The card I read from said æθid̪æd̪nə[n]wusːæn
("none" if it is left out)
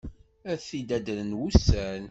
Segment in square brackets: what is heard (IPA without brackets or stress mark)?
n